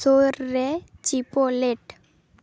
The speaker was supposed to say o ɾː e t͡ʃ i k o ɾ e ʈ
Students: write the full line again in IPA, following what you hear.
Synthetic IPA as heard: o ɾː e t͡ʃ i p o l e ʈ